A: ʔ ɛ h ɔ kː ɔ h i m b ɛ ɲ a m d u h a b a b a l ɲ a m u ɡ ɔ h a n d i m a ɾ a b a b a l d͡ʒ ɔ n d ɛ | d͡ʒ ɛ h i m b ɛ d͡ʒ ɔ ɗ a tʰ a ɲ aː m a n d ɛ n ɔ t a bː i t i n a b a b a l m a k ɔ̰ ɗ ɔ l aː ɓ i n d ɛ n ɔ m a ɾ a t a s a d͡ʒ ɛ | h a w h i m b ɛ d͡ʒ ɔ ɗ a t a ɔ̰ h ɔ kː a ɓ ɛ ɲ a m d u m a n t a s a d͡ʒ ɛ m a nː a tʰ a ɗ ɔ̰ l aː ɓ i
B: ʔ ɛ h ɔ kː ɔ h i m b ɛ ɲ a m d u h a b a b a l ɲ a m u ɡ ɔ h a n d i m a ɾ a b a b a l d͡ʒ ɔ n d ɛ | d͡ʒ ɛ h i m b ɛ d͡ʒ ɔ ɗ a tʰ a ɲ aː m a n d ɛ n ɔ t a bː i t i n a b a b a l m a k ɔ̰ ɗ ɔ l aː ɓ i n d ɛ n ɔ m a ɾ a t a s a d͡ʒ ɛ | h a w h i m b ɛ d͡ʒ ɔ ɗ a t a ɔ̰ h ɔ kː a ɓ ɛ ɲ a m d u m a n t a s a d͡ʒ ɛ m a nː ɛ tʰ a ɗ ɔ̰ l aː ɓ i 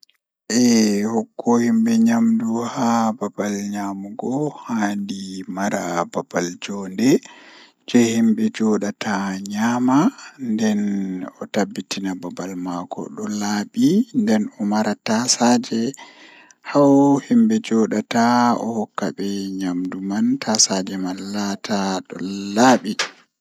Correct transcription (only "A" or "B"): A